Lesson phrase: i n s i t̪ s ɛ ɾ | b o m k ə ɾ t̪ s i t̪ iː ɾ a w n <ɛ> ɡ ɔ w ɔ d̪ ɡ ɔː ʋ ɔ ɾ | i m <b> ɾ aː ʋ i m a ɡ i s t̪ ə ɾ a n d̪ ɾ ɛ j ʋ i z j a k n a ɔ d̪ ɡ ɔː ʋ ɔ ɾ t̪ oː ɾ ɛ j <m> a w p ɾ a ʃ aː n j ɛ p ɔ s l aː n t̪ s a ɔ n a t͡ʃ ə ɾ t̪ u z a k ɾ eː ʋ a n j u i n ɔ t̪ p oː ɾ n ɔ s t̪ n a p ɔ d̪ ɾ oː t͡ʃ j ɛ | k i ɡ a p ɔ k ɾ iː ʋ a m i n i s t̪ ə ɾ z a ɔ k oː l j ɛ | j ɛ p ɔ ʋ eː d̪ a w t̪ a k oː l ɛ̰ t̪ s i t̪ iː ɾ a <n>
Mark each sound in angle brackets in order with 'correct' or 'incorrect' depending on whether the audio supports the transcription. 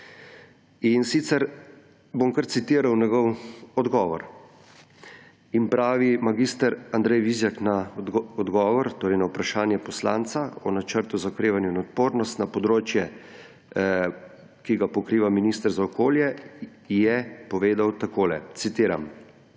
correct, incorrect: p, incorrect: n, incorrect: m

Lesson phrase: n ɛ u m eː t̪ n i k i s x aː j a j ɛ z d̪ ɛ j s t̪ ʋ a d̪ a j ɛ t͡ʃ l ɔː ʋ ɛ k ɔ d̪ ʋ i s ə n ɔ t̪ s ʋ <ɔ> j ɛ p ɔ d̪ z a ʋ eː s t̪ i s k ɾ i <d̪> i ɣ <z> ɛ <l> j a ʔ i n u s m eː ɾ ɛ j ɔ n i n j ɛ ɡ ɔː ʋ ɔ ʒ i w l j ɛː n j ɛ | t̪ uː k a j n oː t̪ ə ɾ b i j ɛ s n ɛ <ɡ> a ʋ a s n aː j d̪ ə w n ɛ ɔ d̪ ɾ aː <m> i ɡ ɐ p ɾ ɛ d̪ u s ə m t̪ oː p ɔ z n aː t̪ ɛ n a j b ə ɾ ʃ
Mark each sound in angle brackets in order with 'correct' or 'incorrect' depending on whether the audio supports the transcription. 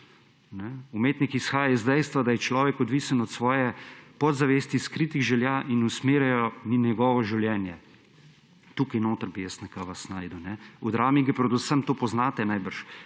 incorrect: ɔː, incorrect: t̪, incorrect: ʒ, correct, incorrect: k, correct

